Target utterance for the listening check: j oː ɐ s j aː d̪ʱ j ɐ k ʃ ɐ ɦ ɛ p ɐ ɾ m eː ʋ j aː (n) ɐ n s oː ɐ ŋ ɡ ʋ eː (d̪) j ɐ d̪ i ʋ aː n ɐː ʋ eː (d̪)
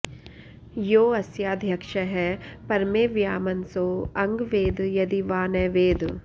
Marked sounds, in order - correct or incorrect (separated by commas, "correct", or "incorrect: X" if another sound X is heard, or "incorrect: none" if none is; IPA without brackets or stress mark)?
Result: incorrect: m, correct, correct